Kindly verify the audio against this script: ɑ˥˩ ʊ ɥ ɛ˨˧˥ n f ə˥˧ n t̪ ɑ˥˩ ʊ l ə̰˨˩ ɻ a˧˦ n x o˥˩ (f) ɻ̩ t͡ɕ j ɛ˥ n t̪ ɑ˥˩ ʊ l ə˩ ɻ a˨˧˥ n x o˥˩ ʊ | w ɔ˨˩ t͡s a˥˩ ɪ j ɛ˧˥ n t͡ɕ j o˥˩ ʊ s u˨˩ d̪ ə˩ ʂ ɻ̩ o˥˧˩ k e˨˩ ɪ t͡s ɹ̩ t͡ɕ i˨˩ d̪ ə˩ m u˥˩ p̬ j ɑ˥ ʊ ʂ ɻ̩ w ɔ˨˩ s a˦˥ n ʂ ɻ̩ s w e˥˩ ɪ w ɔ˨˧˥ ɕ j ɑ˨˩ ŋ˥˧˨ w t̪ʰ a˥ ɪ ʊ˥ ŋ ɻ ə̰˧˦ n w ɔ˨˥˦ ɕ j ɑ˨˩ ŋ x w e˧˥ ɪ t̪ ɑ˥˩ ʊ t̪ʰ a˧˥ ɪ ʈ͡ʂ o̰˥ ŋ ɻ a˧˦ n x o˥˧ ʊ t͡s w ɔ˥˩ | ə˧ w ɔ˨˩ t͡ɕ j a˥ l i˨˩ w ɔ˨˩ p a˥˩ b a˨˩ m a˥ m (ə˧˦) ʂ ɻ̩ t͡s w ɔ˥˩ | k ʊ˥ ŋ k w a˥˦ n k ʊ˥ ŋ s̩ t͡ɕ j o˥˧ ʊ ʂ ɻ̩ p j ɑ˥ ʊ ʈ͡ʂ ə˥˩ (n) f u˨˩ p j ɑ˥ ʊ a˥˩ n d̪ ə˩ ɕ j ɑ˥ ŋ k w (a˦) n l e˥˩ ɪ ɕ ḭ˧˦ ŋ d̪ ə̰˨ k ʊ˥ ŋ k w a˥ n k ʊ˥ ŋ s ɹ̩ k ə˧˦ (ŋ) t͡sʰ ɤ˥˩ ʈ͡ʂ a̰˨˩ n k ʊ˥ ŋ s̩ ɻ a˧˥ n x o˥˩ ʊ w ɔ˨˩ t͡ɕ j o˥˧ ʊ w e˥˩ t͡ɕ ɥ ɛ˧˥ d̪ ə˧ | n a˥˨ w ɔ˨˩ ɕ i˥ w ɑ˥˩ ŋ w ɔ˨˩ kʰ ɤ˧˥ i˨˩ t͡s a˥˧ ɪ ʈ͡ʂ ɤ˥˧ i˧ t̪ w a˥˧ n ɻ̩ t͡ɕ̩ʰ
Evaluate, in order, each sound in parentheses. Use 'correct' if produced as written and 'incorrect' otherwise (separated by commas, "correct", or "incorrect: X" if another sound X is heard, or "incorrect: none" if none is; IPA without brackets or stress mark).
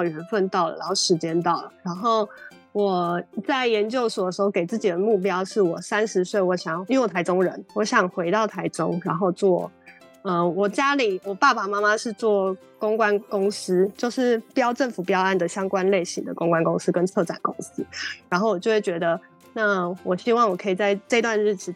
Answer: incorrect: ʂ, incorrect: a˧˦, correct, correct, incorrect: n